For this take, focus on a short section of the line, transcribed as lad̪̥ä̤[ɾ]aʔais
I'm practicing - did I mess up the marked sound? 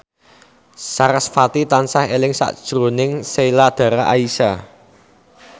no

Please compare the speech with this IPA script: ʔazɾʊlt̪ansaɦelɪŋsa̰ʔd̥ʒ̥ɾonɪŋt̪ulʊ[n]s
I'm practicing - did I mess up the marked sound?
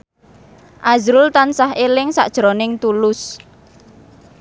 yes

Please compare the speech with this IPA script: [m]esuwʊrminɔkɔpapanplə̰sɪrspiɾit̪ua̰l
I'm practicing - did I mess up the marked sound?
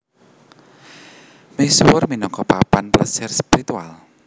no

